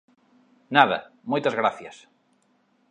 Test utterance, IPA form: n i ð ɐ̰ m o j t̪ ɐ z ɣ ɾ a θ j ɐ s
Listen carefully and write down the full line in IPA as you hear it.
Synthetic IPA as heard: n a ð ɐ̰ m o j t̪ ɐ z ɣ ɾ a θ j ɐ s